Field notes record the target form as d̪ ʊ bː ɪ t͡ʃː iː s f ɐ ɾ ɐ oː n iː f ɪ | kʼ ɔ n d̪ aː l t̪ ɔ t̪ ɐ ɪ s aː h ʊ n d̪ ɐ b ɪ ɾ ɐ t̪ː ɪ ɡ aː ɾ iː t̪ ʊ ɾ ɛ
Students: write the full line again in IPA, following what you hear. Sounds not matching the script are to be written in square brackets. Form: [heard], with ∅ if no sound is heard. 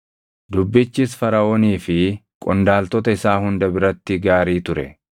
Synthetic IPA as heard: d̪ ʊ bː ɪ t͡ʃː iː s f ɐ ɾ ɐ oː n iː f ɪ | kʼ ɔ n d̪ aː l t̪ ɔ t̪ ɐ ɪ s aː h ʊ n d̪ ɐ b ɪ ɾ ɐ t̪ː ɪ ɡ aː ɾ iː t̪ ʊ ɾ ɛ